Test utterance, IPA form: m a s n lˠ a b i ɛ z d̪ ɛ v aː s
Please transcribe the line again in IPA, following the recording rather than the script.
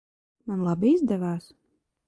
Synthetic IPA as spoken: m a n lˠ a b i i z d̪ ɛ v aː s